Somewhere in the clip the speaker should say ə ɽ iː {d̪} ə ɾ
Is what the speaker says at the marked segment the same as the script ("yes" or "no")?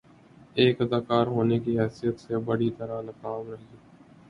no